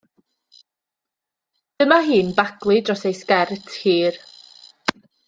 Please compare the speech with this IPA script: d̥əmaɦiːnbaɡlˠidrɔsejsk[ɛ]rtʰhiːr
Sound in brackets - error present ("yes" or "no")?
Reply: no